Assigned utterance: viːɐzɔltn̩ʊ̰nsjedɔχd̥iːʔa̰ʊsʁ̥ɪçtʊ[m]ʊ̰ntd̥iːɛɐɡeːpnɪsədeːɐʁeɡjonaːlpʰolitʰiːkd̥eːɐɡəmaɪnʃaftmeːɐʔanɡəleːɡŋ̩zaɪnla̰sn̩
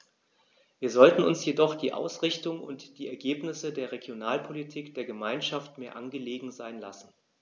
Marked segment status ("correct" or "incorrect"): incorrect